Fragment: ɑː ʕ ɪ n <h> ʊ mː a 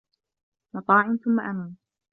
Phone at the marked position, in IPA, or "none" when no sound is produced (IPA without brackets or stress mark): θ